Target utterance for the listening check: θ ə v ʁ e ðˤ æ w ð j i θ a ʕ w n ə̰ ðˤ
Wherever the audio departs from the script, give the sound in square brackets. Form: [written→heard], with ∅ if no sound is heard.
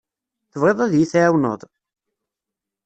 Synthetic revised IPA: θ ə v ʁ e ðˤ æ [w→∅] ð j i θ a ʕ w n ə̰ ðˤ